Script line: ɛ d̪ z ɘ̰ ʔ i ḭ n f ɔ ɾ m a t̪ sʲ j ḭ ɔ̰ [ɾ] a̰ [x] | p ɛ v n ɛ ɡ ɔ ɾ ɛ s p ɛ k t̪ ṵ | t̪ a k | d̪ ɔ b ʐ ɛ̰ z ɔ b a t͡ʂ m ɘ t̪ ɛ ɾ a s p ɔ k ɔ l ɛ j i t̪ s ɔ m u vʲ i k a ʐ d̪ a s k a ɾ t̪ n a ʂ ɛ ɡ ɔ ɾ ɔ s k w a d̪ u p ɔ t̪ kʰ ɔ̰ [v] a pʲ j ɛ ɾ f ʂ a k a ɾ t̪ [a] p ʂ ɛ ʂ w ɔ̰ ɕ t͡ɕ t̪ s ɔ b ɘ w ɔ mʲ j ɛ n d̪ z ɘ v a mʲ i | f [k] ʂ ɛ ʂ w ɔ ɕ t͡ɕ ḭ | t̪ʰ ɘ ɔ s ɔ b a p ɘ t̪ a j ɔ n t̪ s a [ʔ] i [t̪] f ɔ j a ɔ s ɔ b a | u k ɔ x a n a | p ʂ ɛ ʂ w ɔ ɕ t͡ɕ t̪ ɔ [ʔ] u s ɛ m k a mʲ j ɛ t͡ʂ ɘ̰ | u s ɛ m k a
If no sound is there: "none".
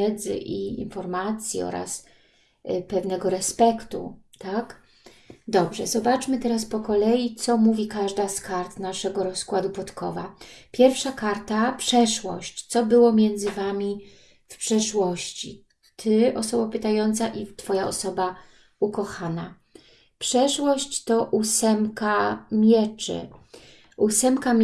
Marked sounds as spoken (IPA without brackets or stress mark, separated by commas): ɾ, s, v, a, p, ʔ, t̪, ʔ